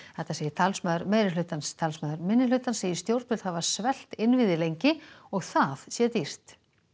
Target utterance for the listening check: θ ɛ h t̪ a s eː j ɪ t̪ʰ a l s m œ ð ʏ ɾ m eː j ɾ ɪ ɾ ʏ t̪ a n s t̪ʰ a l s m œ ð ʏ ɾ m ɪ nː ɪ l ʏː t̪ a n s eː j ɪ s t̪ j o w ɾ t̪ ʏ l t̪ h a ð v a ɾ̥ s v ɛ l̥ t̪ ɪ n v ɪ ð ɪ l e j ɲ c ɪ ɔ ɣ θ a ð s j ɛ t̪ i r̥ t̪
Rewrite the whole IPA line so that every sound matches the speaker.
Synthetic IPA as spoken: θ ɛ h t̪ a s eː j ɪ t̪ʰ a l s m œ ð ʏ ɾ m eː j ɾ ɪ l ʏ t̪ a n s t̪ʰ a l s m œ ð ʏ ɾ m ɪ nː ɪ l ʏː t̪ a n s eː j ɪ s t̪ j o w ɾ t̪ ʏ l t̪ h a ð v a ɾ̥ s v ɛ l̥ t̪ ɪ n v ɪ ð ɪ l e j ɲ c ɪ ɔ ɣ θ a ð s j ɛ t̪ i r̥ t̪